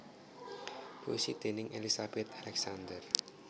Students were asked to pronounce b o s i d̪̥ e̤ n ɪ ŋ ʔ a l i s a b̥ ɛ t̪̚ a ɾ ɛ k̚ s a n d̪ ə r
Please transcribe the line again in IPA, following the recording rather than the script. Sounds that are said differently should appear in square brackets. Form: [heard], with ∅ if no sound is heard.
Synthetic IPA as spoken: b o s i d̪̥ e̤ n ɪ ŋ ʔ [e] l i s a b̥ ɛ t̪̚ a [l] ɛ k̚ s a n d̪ ə r